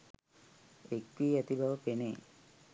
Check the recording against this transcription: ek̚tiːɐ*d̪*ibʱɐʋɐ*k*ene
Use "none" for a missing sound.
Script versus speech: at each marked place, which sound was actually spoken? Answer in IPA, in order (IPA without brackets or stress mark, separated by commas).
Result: t̪, p